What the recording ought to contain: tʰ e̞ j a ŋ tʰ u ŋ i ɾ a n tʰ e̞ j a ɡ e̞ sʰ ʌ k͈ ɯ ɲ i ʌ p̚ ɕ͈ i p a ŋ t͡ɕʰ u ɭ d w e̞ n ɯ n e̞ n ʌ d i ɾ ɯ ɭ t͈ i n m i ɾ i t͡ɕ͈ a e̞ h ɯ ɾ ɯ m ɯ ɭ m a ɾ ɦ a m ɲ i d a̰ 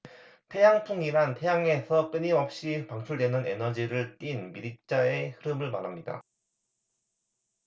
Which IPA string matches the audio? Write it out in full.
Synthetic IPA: tʰ e̞ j a ŋ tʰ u ŋ i ɾ a n tʰ e̞ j a ŋ e̞ sʰ ʌ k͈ ɯ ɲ i ʌ p̚ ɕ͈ i p a ŋ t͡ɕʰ u ɭ d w e̞ n ɯ n e̞ n ʌ d͡ʑ i ɾ ɯ ɭ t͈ i n m i ɾ i t͡ɕ͈ a e̞ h ɯ ɾ ɯ m ɯ ɭ m a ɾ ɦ a m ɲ i d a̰